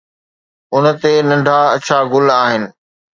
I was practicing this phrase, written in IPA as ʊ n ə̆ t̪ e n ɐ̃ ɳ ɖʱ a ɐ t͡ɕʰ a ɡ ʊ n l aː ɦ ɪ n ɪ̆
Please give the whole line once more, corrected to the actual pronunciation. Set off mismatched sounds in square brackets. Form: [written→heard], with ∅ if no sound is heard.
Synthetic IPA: ʊ n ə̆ t̪ e n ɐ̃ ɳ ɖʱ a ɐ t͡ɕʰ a ɡ ʊ [n→∅] l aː ɦ ɪ n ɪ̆